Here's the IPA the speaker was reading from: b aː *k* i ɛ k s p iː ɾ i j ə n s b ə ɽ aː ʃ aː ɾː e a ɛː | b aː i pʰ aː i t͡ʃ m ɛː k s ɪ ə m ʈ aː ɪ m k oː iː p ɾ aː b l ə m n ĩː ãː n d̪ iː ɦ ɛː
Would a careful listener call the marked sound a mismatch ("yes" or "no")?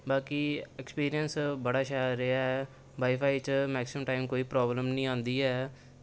no